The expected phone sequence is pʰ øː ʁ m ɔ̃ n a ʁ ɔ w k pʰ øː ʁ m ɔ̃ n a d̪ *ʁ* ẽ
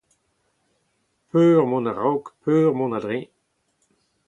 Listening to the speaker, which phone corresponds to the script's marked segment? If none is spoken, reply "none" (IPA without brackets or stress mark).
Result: ʁ